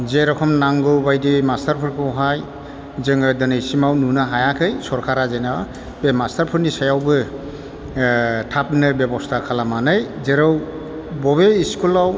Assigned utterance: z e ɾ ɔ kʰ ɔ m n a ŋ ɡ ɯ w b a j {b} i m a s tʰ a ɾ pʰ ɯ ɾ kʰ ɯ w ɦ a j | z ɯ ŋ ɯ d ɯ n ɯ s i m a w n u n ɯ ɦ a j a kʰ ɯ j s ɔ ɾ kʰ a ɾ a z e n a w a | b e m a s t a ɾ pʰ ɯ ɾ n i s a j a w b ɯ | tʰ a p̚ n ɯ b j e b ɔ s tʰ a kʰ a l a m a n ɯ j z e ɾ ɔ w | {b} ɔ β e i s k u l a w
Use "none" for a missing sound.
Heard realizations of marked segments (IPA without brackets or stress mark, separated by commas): d, b